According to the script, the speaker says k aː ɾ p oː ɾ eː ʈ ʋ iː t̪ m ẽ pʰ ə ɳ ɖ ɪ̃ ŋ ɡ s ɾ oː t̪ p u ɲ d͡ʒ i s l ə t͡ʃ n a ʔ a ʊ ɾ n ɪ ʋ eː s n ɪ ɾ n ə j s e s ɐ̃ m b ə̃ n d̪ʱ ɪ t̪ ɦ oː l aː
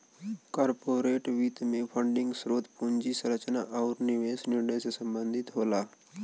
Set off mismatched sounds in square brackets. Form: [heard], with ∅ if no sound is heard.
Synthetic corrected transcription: k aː ɾ p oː ɾ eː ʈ ʋ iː t̪ m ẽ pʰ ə ɳ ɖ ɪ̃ ŋ ɡ s ɾ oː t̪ p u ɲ d͡ʒ i s [ɾ] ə t͡ʃ n a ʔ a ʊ ɾ n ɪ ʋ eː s n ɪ ɾ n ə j s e s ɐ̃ m b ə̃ n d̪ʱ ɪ t̪ ɦ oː l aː